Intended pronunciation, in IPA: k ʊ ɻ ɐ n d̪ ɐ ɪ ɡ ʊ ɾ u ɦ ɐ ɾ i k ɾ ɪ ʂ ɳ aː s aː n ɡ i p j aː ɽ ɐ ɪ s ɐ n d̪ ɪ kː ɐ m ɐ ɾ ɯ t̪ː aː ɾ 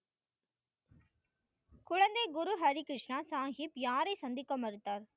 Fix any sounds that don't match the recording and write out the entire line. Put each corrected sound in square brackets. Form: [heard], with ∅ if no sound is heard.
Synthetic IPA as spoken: k ʊ ɻ ɐ n d̪ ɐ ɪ ɡ ʊ ɾ u ɦ ɐ ɾ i k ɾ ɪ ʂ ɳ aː s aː [ŋ] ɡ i p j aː [ɾ] ɐ ɪ s ɐ n d̪ ɪ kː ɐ m ɐ ɾ ɯ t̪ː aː ɾ